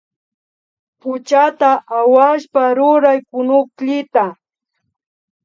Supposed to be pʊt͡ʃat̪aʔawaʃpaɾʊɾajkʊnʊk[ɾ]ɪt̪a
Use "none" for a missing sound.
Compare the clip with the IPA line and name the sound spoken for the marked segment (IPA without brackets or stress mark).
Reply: ʎ